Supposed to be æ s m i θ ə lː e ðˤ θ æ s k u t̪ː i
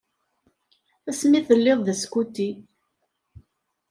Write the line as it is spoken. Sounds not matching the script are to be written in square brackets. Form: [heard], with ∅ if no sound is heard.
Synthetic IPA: æ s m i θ ə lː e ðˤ [ð] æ s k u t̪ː i